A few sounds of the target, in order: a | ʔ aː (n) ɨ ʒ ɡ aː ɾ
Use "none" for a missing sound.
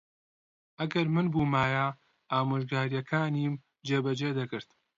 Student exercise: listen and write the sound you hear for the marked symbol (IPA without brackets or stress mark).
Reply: m